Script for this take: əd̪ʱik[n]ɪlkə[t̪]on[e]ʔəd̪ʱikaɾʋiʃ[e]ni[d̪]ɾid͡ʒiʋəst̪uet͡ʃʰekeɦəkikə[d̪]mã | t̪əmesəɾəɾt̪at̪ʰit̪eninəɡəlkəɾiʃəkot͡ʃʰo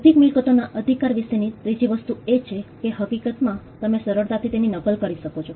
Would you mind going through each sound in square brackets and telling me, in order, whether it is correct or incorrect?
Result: incorrect: m, correct, incorrect: a, correct, incorrect: t̪, incorrect: t̪

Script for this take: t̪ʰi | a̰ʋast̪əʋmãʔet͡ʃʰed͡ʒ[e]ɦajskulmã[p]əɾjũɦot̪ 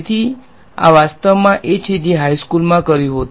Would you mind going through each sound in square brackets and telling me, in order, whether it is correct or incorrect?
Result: correct, incorrect: k

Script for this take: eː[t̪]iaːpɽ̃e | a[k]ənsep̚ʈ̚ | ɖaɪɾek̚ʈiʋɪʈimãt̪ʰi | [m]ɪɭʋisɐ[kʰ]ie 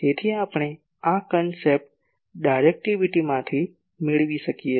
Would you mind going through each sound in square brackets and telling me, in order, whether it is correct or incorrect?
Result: incorrect: t̪ʰ, correct, correct, incorrect: k

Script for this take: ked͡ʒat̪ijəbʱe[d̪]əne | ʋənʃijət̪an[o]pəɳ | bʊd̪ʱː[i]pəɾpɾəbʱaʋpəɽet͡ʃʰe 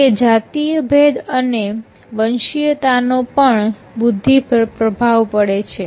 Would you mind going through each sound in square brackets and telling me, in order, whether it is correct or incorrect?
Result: correct, correct, correct

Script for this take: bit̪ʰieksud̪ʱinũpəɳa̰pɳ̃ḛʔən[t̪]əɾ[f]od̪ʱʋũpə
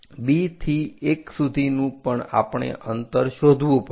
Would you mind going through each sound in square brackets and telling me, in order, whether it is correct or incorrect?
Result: correct, incorrect: ʃ

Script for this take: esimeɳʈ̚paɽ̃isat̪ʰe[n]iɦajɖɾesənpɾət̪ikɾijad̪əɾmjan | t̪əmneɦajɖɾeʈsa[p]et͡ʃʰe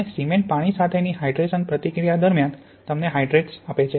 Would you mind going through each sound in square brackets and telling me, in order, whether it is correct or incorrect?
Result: correct, correct

